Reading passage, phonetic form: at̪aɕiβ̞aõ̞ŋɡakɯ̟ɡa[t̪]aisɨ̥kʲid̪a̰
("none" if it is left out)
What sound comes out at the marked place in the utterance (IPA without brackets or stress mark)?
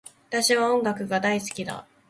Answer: d̪